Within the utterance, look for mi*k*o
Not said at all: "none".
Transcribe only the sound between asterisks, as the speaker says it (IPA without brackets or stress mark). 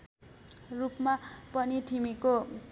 k